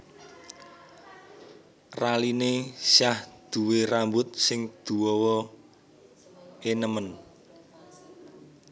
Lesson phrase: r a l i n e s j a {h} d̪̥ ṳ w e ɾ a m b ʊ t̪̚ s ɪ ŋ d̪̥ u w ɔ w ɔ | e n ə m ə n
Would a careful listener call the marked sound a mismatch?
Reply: no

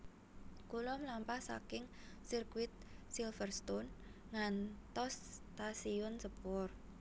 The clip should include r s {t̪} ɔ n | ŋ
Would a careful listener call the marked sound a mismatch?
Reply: no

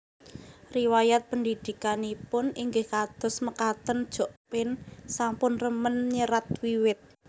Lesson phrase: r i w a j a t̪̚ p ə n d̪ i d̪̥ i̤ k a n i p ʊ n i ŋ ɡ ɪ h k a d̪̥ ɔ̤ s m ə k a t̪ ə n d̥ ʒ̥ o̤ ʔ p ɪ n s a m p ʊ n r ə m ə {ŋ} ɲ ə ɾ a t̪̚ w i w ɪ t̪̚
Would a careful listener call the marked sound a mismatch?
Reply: yes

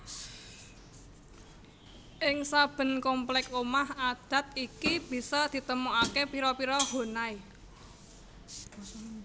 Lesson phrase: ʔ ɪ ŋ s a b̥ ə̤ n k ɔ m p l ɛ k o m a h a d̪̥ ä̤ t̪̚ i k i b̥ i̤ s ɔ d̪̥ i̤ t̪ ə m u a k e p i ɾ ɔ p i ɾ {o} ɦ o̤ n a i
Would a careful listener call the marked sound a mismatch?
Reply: yes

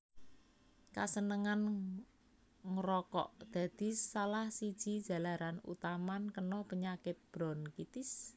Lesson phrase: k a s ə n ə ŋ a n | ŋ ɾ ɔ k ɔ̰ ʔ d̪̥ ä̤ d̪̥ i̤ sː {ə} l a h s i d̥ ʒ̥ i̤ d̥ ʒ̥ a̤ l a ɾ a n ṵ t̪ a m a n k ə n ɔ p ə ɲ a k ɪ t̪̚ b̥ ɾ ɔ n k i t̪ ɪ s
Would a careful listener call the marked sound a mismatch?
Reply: yes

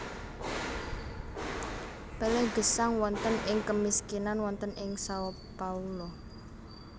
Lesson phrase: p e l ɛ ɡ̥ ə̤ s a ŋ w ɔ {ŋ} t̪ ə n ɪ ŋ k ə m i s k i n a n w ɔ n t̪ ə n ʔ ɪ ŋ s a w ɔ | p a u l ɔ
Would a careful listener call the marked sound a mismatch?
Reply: yes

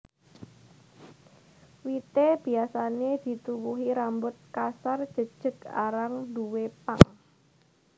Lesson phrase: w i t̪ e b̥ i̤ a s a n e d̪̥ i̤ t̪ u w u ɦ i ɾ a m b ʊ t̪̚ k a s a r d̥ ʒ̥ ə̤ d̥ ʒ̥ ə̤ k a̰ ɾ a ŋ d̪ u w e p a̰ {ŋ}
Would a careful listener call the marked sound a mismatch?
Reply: no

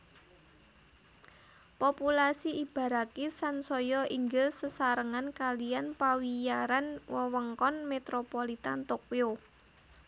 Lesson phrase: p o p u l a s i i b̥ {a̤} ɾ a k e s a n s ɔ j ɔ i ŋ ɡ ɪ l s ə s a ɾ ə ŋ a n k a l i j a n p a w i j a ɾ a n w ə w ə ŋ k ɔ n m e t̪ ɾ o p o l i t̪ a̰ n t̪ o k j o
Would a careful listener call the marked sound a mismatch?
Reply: no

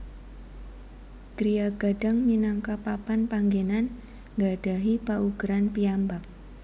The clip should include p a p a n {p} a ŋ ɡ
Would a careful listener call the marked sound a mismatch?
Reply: no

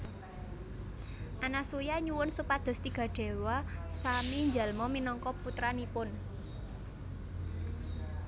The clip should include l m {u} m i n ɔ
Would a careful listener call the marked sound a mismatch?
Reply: yes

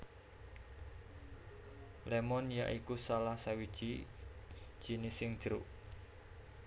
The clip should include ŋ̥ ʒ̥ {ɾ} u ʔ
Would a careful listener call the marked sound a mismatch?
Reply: no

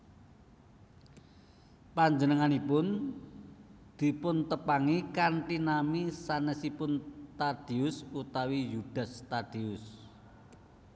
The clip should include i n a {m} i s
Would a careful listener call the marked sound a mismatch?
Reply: no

